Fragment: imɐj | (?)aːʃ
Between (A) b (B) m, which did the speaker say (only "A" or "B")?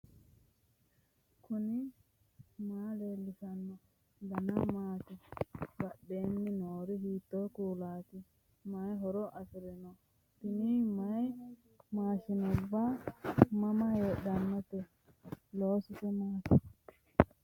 B